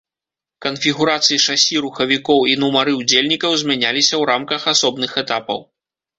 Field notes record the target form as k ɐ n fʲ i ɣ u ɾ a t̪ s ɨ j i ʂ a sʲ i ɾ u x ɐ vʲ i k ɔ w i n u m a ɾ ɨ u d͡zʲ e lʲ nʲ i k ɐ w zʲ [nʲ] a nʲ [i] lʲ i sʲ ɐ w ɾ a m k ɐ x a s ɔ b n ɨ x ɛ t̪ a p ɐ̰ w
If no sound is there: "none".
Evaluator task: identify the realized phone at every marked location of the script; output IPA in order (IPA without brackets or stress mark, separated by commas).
mʲ, a